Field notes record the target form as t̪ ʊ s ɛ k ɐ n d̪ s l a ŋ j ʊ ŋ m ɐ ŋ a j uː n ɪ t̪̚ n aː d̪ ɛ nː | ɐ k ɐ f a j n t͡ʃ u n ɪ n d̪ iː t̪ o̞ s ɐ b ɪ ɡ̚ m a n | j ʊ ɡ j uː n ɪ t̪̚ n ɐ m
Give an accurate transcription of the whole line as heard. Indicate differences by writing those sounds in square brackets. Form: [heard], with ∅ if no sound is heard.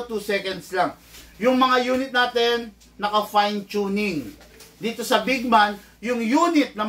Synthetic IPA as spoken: t̪ [u] s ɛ k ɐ n d̪ s l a ŋ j ʊ ŋ m ɐ ŋ a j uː n ɪ t̪̚ n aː [t̪] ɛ nː | ɐ k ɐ f a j n t͡ʃ u n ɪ [ŋ] d̪ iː t̪ o̞ s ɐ b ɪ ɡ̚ m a n | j ʊ [ŋ] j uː n ɪ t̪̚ n ɐ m